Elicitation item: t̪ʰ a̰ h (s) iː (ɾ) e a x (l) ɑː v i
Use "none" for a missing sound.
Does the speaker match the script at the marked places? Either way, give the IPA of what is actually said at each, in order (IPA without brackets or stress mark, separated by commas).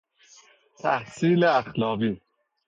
s, l, l